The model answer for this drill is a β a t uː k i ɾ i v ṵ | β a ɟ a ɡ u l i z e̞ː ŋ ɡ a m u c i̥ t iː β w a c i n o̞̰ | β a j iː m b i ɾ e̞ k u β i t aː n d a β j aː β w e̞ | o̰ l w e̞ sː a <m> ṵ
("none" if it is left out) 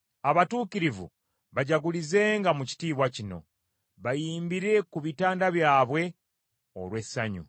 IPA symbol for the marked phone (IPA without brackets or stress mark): ɲ